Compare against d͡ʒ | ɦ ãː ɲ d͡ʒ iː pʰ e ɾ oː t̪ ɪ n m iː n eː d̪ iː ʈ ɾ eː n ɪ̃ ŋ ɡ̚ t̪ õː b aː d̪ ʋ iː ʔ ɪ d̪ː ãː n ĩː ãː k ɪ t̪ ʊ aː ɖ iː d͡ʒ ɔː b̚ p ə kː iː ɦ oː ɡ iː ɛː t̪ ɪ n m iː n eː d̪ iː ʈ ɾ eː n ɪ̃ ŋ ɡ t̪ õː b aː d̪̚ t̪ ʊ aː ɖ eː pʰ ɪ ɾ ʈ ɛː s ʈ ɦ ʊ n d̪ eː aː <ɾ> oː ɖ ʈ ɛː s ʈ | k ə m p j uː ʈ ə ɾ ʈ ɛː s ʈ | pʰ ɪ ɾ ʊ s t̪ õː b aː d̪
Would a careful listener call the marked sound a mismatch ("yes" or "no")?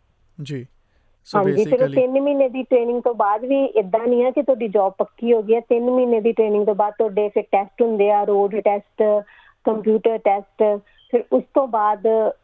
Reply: no